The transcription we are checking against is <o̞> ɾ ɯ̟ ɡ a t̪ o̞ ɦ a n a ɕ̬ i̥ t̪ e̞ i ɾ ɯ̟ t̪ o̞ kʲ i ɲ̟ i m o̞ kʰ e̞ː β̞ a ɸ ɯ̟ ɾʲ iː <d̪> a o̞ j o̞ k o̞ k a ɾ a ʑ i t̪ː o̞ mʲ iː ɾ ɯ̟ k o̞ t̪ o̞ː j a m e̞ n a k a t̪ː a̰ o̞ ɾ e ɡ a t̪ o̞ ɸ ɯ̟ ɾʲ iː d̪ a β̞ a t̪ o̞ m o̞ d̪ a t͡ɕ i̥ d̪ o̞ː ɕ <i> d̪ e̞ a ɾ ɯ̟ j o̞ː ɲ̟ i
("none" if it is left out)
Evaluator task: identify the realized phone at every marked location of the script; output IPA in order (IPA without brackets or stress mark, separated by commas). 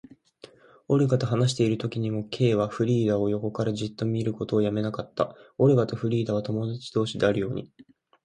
o̞, d̪, i